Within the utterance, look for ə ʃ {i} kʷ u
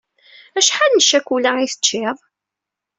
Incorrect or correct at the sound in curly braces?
incorrect: æ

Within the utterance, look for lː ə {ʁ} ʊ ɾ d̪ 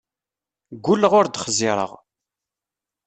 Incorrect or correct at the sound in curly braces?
correct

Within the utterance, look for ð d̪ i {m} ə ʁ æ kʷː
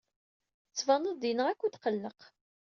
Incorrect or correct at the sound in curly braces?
incorrect: n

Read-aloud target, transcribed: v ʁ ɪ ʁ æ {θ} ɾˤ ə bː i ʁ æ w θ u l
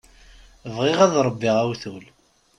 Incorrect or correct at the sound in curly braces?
incorrect: ð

